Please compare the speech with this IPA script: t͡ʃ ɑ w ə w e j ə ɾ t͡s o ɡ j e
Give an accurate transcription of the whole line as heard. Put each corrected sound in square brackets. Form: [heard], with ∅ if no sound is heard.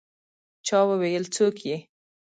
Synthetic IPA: t͡ʃ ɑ w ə w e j ə [l] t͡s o [k] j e